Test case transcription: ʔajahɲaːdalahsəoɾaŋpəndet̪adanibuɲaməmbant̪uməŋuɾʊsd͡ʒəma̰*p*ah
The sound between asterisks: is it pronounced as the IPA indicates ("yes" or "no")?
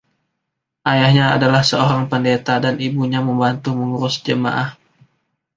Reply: no